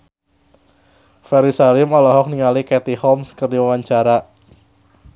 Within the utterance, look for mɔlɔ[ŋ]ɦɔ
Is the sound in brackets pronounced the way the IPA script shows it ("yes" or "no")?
no